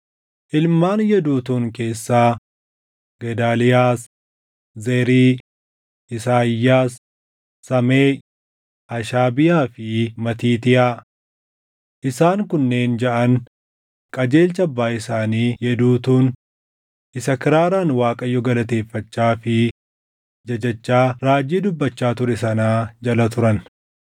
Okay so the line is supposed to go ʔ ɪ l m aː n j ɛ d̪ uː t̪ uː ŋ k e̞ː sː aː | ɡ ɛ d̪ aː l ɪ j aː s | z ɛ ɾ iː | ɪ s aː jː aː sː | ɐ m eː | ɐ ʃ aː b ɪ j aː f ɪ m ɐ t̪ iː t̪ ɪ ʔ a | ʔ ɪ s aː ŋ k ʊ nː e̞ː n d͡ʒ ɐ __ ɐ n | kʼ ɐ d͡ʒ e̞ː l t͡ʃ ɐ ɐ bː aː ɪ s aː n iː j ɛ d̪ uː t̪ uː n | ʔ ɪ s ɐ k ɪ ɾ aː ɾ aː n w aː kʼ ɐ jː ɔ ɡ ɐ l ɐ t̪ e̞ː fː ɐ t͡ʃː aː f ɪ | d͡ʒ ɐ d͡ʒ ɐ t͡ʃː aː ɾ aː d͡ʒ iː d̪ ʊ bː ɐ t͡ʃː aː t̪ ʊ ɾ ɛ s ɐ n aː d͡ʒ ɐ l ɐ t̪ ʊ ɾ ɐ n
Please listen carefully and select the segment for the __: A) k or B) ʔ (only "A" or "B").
B